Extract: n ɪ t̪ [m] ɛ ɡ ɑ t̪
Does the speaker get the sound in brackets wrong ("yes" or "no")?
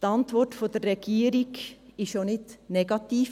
yes